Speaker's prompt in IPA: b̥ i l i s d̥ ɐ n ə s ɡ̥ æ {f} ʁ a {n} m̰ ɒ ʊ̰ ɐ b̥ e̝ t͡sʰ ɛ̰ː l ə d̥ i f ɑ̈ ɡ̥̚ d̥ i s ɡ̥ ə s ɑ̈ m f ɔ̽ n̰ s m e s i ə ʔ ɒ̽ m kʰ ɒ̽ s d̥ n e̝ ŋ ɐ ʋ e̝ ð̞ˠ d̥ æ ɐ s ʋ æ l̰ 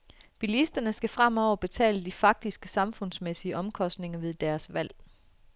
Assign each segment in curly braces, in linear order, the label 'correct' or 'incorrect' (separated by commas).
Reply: correct, incorrect